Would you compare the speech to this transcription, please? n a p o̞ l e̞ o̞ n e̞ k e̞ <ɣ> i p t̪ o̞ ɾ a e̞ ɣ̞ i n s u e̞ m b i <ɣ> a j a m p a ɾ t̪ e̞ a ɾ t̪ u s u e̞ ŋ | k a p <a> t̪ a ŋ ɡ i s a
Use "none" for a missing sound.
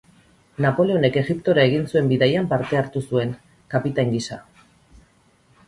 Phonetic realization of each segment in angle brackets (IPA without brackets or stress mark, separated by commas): ɣ, ð, i